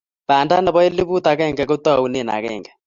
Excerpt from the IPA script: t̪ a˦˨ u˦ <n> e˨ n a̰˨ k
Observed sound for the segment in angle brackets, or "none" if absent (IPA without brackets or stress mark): n